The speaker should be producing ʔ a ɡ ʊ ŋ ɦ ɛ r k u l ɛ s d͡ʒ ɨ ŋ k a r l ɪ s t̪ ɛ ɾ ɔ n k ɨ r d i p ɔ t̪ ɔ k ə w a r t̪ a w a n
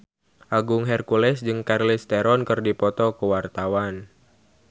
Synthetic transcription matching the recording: ʔ a ɡ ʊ ŋ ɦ ɛ r k u l ɛ s d͡ʒ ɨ ŋ k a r l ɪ s t̪ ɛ ɾ ɔ n k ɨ r d i p ɔ t̪ ɔ k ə w a r t̪ a w a n